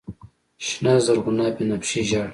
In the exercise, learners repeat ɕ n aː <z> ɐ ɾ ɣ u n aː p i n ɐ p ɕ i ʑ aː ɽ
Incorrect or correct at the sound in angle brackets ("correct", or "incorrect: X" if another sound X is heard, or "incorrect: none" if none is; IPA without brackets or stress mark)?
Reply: correct